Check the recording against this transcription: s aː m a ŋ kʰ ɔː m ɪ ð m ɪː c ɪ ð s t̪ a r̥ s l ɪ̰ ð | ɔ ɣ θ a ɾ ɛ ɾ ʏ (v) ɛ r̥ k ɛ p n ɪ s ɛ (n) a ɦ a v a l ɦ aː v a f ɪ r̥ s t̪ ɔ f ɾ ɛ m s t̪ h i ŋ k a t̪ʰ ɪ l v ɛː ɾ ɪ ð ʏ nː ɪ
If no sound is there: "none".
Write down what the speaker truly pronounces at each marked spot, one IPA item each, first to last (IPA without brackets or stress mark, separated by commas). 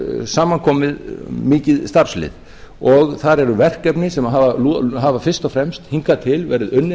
v, m